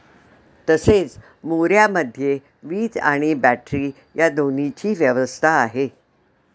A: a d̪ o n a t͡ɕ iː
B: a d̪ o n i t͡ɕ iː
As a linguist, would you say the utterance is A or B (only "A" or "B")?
B